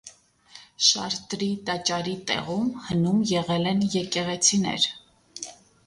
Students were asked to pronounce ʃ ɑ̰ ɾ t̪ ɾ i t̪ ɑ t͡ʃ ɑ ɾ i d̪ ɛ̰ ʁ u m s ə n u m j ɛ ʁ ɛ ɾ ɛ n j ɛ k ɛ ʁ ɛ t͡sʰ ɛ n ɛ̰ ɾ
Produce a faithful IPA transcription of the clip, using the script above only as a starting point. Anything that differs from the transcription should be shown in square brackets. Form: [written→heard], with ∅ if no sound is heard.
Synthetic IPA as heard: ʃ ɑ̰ ɾ t̪ ɾ i t̪ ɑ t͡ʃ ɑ ɾ i [d̪→t̪] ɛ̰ ʁ u m [s→h] ə n u m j ɛ ʁ ɛ [ɾ→l] ɛ n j ɛ k ɛ ʁ ɛ t͡sʰ [ɛ→i] n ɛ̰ ɾ